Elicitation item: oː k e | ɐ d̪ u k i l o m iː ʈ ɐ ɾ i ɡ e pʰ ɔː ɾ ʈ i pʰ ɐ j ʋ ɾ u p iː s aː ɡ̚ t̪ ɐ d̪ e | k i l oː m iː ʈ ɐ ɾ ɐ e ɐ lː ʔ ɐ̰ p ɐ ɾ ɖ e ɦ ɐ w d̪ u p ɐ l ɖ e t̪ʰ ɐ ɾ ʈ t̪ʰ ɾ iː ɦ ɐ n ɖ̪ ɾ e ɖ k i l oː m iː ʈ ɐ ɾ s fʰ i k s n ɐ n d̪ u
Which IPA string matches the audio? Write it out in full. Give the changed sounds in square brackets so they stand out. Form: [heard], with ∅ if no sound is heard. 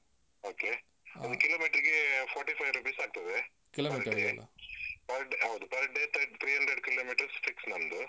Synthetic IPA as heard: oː k e | ɐ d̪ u k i l o m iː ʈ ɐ ɾ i ɡ e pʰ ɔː ɾ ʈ i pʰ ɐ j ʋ ɾ u p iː s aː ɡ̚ t̪ ɐ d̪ e | k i l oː m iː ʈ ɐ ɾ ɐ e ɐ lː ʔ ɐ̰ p ɐ ɾ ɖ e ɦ ɐ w d̪ u p ɐ [ɾ] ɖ e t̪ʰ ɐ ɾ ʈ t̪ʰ ɾ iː ɦ ɐ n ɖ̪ ɾ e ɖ k i l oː m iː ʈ ɐ ɾ s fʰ i k s n ɐ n d̪ u